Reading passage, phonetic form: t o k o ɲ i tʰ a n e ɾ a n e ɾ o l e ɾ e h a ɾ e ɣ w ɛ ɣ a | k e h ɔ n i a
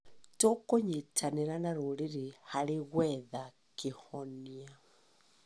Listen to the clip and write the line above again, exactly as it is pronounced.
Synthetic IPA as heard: t o k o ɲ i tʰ a n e ɾ a n a ɾ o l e ɾ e h a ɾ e ɣ w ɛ ð a | k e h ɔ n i a